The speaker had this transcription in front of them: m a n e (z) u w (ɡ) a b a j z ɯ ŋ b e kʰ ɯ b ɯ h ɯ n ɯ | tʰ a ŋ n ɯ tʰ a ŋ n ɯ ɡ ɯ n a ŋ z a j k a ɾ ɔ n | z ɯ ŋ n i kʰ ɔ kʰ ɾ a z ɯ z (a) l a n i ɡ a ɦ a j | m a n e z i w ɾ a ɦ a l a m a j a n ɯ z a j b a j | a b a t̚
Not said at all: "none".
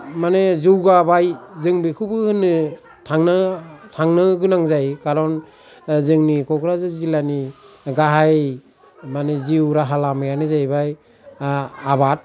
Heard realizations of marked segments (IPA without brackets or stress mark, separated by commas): z, ɡ, i